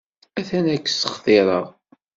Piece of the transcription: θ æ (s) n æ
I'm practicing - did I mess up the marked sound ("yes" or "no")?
yes